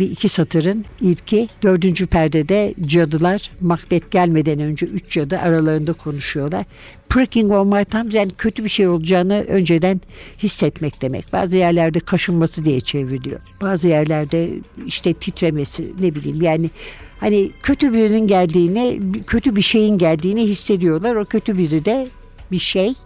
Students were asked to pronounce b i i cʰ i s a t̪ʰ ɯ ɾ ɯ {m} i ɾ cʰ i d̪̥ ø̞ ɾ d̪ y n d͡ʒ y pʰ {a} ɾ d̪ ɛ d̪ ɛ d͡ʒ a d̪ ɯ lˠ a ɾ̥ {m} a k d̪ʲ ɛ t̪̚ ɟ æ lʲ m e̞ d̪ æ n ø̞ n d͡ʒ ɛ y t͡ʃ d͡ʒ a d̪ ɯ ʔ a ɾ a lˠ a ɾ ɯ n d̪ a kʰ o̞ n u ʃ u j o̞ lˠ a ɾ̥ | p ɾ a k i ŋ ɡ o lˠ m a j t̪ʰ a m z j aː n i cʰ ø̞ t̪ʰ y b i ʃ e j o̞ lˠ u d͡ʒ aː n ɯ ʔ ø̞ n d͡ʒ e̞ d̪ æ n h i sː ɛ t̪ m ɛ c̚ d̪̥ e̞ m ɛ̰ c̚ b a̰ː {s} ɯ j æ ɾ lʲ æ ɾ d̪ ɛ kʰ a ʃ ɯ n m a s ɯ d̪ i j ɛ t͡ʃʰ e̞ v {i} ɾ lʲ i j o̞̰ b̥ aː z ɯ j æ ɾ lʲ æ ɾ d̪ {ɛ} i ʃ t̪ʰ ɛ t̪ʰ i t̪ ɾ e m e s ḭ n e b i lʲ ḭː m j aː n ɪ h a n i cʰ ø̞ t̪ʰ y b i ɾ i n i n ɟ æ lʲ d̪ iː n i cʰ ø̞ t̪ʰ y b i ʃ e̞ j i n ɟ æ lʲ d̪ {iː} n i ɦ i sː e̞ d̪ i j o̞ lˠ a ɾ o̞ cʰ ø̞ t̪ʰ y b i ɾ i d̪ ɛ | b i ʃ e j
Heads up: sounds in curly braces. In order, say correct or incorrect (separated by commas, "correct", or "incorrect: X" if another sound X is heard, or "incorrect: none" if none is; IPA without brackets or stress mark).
incorrect: n, incorrect: æ, correct, incorrect: z, correct, correct, correct